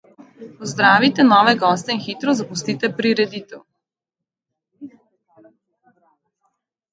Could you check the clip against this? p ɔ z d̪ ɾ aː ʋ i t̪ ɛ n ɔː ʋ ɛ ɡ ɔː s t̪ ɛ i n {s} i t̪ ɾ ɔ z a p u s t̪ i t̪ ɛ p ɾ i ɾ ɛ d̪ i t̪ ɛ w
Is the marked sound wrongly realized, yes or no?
yes